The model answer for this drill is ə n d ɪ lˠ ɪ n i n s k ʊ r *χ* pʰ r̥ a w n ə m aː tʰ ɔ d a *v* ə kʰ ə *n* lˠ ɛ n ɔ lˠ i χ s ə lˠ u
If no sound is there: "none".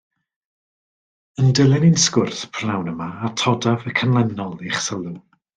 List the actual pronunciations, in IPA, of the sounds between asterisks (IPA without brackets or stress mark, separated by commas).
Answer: θ, v, n